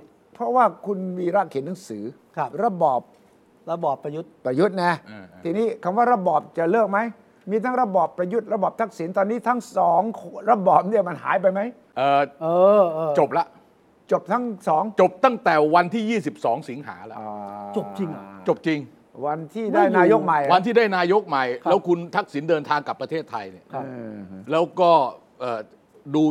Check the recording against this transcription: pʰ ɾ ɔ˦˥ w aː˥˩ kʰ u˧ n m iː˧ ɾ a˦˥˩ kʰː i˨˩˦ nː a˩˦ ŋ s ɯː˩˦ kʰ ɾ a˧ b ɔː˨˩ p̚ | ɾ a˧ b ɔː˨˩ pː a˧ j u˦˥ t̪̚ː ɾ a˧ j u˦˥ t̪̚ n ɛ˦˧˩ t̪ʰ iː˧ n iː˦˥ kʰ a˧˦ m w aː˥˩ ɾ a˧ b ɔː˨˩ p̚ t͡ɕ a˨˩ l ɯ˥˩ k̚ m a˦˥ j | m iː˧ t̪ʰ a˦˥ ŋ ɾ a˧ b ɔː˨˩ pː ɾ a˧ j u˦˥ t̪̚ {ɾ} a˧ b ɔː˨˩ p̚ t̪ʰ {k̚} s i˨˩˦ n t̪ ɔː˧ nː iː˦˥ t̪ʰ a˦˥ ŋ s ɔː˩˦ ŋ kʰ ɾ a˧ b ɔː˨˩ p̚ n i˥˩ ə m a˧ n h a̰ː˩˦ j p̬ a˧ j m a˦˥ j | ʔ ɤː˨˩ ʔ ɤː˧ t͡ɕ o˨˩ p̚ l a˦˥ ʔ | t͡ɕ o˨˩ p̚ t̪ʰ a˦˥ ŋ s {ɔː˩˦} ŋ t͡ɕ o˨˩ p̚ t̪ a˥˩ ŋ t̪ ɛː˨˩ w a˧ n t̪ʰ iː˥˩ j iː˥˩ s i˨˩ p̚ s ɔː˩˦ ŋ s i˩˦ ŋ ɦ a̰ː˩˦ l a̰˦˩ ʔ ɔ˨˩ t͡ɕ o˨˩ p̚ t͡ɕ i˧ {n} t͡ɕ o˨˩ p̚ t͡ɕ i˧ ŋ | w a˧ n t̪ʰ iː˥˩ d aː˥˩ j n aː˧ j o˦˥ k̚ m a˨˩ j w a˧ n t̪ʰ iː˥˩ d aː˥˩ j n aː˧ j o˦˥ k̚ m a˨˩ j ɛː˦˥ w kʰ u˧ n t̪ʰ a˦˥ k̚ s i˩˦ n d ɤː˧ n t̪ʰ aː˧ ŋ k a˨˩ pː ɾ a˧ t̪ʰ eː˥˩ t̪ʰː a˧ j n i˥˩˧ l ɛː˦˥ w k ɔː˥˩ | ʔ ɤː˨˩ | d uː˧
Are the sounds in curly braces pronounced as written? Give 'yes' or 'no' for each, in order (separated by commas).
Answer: yes, yes, yes, no